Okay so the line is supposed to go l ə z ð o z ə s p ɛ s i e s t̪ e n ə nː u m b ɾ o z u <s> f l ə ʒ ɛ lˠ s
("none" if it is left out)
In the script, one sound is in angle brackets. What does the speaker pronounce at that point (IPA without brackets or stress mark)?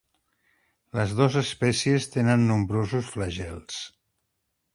s